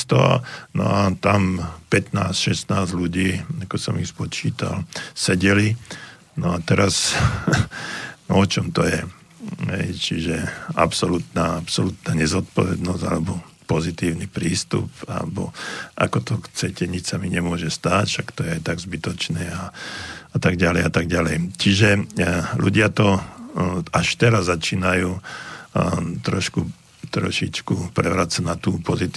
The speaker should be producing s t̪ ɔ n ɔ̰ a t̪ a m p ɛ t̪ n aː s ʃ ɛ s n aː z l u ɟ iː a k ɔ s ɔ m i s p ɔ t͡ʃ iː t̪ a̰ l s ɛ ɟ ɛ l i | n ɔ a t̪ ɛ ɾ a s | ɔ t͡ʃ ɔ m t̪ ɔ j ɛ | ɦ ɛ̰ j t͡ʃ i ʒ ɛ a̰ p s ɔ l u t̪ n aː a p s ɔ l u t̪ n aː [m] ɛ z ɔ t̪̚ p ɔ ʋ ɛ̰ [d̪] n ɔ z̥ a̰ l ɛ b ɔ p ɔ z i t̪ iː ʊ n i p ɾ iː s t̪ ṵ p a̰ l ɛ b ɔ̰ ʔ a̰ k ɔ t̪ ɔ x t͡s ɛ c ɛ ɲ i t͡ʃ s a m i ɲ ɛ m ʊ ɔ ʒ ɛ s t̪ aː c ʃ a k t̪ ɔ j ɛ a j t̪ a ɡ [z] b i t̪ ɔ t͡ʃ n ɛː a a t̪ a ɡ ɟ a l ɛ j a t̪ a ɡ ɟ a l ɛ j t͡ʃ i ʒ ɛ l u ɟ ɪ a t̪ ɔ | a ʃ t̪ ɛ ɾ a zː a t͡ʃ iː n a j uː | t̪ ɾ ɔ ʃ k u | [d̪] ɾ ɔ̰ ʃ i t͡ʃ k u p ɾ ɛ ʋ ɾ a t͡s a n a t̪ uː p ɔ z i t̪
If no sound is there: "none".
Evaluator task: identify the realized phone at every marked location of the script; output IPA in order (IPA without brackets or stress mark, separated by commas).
ɲ, d̪, z, t̪